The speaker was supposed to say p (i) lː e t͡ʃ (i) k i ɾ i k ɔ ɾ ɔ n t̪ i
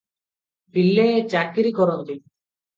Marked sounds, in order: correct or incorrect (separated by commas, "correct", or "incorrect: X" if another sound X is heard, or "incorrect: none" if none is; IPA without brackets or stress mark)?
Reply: correct, incorrect: a